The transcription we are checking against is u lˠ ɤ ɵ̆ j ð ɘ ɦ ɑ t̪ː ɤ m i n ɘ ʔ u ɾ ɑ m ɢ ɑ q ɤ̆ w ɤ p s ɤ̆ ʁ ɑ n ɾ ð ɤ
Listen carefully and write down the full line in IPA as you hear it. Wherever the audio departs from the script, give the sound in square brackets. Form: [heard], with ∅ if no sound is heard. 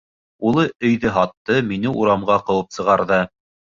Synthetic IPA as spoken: u lˠ ɤ ɵ̆ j ð ɘ ɦ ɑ t̪ː ɤ m i n ɘ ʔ u ɾ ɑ m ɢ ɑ q ɤ̆ w ɤ p s ɤ̆ ʁ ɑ [∅] ɾ ð ɤ